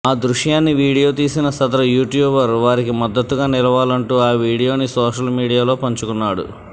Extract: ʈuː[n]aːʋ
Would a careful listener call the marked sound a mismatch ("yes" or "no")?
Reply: yes